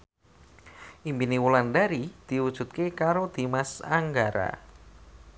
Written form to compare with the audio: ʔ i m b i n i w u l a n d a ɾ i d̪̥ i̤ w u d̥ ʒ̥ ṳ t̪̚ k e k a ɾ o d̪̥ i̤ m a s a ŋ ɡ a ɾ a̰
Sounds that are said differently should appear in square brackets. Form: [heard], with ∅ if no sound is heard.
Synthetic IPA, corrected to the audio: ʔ i m b i n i w u l a n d a ɾ i d̪̥ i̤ w u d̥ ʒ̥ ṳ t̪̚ k e k a ɾ o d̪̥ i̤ m a s a ŋ ɡ a ɾ a̰

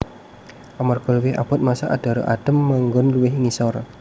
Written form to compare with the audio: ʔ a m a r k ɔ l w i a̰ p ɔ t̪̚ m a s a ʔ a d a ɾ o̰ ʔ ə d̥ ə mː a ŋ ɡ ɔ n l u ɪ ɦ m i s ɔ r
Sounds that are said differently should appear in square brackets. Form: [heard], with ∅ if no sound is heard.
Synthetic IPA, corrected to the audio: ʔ a m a r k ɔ l w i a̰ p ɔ t̪̚ m a s a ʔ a d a ɾ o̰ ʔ [a] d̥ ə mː a ŋ ɡ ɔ n l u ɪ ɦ [ŋ] i s ɔ r

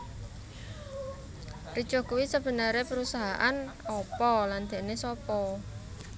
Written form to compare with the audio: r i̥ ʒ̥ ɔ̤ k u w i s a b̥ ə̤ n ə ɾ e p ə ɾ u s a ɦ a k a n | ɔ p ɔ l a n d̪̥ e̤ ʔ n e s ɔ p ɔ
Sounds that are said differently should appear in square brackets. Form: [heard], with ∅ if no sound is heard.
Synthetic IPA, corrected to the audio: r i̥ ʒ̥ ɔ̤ k u w i s [ə] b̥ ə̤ n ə ɾ e p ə ɾ u s a ɦ a [ʔ] a n | ɔ p ɔ l a n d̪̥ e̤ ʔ n e s ɔ p ɔ

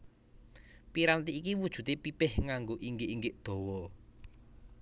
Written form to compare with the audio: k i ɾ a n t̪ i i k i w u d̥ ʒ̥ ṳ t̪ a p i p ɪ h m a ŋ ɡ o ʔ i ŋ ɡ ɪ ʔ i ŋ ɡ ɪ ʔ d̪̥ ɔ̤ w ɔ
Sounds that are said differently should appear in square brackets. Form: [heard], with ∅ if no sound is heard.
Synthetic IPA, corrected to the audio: [p] i ɾ a n t̪ i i k i w u d̥ ʒ̥ ṳ t̪ [e] p i p ɪ h [ŋ] a ŋ ɡ o ʔ i ŋ ɡ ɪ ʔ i ŋ ɡ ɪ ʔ d̪̥ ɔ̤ w ɔ

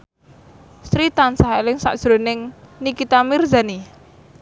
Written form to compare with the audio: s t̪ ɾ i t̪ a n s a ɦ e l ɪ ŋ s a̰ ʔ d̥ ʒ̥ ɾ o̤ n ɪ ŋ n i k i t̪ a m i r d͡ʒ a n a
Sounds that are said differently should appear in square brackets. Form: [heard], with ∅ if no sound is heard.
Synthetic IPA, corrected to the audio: s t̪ ɾ i t̪ a n s a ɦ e l ɪ ŋ s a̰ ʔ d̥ ʒ̥ ɾ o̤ n ɪ ŋ n i k i t̪ a m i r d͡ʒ a n [i]

